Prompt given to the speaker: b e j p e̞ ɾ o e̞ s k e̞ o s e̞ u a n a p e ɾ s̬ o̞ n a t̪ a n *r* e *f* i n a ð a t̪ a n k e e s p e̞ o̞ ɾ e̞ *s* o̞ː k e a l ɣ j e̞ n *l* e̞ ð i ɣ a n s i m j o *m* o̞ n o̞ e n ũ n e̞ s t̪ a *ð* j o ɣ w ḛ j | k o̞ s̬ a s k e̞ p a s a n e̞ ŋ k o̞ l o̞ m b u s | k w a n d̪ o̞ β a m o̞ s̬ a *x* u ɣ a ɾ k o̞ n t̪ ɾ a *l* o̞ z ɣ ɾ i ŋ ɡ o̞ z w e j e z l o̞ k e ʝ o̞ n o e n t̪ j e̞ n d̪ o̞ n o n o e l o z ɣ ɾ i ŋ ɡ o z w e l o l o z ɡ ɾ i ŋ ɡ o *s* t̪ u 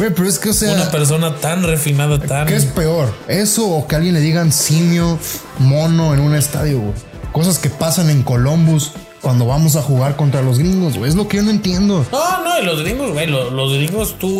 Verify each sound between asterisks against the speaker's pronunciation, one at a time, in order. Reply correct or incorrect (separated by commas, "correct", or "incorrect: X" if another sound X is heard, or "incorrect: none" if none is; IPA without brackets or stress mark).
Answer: correct, correct, correct, correct, correct, correct, correct, correct, correct